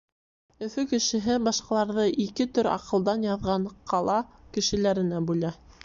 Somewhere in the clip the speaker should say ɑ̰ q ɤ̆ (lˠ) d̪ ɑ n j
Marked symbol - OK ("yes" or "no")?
yes